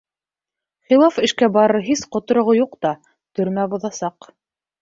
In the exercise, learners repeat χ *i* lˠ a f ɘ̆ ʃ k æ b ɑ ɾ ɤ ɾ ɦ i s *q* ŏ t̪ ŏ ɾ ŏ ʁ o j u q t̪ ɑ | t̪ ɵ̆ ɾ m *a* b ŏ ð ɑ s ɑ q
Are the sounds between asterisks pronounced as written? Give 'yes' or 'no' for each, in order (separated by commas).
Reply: yes, yes, no